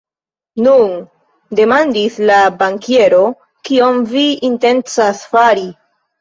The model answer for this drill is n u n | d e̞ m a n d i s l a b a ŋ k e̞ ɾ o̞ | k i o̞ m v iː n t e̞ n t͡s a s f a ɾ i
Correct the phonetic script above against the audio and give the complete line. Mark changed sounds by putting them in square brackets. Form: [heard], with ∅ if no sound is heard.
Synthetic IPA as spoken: n u n | d e̞ m a n d i s l a b a ŋ k e̞ ɾ o̞ | k i o̞ m v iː n t e̞ n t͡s a s f a ɾ i